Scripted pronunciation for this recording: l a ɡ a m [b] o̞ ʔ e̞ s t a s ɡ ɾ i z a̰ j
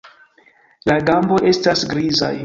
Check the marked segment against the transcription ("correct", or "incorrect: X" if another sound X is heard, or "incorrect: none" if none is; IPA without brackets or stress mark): correct